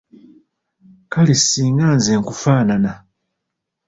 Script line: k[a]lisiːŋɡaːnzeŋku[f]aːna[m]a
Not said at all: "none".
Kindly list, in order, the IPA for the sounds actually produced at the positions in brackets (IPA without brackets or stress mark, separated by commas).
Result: a, f, n